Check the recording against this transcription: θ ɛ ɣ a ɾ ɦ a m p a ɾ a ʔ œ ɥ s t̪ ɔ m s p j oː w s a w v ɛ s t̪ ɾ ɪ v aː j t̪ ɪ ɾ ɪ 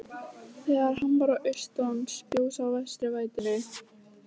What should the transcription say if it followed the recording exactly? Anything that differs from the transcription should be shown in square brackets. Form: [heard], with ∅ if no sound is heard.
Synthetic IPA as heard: θ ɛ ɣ a ɾ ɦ a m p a ɾ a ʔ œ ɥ s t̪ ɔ [n] s p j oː w s a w v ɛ s t̪ ɾ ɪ v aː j t̪ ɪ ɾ ɪ